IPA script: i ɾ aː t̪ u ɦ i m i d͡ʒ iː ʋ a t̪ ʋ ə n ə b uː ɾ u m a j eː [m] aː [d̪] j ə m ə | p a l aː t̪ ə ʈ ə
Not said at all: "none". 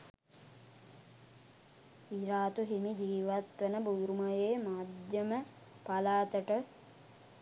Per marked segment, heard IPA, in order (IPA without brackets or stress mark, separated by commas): m, d̪